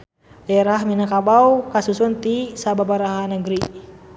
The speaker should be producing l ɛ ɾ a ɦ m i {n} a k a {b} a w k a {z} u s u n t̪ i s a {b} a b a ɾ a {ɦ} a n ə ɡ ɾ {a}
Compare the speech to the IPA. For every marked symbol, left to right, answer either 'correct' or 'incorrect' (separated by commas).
correct, correct, incorrect, correct, correct, incorrect